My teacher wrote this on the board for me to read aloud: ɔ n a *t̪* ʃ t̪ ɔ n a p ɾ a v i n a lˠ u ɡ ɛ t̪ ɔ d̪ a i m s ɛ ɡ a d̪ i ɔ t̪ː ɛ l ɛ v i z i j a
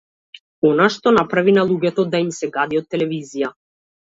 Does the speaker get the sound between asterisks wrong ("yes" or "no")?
yes